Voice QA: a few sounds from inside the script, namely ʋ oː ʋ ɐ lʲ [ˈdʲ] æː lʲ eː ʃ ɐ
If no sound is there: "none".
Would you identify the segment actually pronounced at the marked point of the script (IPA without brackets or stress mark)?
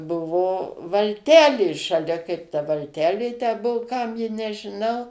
tʲ